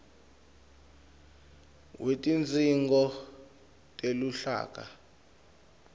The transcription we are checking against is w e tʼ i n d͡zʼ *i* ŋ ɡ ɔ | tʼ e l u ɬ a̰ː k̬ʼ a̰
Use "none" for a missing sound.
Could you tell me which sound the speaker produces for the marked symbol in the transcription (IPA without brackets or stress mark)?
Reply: i